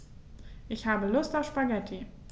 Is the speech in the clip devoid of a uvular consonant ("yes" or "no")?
yes